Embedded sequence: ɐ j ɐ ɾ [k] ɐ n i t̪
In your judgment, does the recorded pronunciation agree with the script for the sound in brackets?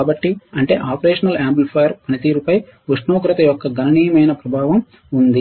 no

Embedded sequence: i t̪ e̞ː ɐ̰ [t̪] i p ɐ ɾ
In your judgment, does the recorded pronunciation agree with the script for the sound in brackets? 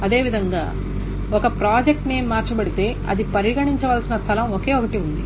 no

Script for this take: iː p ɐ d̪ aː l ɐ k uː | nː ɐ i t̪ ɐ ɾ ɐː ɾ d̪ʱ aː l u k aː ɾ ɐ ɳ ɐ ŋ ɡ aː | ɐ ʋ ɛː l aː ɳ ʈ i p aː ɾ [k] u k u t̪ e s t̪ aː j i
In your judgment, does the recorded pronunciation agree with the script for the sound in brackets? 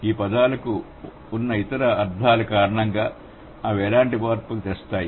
no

